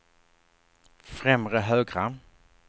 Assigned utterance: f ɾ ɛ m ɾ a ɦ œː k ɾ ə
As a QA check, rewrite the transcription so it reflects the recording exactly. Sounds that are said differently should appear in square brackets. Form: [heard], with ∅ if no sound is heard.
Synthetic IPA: f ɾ ɛ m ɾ [ə] ɦ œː [ɡ] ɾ [a]